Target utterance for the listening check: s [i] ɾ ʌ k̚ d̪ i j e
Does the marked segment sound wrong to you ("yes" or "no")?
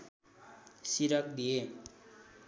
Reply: no